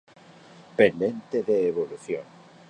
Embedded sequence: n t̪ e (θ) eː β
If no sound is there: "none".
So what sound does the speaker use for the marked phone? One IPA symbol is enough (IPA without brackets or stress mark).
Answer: ð